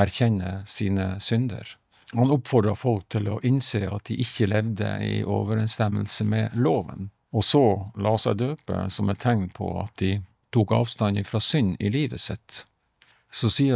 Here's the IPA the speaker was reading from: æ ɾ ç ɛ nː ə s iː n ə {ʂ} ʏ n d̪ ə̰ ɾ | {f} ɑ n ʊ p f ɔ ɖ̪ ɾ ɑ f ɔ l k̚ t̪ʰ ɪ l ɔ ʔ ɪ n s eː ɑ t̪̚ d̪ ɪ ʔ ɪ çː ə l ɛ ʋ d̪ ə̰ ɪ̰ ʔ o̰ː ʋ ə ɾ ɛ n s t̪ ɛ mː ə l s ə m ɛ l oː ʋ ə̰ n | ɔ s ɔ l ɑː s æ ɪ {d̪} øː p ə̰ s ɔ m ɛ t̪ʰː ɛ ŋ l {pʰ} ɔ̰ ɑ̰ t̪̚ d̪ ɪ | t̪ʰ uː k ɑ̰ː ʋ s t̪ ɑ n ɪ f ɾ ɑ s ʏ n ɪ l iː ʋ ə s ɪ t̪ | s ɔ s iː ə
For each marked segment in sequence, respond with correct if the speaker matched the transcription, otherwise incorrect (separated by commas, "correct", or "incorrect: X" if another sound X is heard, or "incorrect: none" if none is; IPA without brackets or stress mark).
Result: incorrect: s, incorrect: h, correct, correct